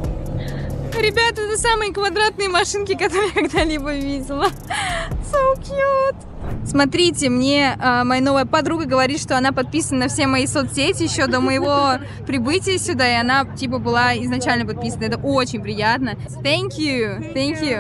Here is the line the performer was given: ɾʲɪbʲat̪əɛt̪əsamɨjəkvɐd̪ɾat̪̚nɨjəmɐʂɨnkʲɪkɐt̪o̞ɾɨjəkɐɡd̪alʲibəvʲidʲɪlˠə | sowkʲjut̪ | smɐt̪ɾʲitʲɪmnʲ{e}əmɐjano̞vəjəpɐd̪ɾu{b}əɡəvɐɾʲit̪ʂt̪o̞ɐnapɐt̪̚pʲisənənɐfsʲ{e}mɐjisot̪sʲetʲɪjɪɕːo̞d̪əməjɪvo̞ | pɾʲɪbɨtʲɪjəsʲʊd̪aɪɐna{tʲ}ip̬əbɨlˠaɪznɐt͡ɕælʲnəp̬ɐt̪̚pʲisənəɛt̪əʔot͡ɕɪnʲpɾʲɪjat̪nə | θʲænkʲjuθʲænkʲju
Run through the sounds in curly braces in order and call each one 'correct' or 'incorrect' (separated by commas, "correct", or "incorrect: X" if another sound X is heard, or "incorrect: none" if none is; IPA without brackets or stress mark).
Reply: correct, incorrect: ɡ, correct, correct